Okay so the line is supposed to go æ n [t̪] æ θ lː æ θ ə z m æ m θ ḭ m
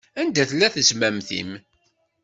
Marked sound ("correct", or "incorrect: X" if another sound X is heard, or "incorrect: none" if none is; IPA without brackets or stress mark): incorrect: d̪